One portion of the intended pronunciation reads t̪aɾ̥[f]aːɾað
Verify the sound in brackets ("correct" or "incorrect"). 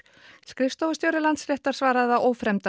incorrect